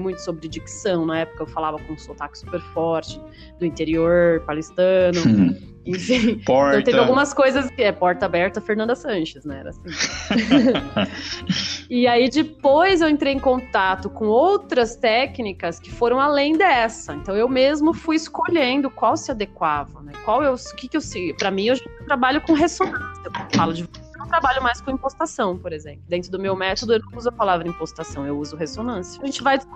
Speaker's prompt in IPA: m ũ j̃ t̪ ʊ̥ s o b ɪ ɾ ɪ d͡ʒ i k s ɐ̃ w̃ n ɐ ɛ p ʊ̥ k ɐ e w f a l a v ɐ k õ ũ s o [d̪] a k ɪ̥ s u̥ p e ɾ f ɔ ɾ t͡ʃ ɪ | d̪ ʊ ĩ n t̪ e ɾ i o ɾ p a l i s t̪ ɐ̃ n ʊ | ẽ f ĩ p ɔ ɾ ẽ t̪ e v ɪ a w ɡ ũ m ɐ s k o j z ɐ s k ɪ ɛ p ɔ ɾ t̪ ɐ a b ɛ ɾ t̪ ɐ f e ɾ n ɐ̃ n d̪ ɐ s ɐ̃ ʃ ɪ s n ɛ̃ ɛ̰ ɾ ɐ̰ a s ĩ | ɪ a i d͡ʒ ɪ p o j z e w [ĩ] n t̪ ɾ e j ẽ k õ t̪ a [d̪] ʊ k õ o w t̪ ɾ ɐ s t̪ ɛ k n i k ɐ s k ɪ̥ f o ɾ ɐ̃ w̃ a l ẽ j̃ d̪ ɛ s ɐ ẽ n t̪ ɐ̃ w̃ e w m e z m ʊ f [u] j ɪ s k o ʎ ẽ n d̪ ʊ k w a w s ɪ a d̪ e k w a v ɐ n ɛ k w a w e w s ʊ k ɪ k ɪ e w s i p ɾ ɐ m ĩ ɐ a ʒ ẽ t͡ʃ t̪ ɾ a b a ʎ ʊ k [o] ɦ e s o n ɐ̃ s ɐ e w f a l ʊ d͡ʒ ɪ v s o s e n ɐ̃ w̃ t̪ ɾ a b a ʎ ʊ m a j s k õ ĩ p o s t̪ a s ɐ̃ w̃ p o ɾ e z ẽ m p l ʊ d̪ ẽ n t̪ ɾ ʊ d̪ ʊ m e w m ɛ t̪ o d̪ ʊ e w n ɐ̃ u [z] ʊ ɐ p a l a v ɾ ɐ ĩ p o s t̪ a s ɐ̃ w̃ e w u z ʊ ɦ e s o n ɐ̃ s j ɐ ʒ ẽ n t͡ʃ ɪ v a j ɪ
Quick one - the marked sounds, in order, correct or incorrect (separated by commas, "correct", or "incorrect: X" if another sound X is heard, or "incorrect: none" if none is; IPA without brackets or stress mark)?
incorrect: t̪, incorrect: ẽ, incorrect: t̪, correct, incorrect: õ, correct